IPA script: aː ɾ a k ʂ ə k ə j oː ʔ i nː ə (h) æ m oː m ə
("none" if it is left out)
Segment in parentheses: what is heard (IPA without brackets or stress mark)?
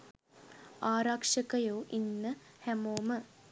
h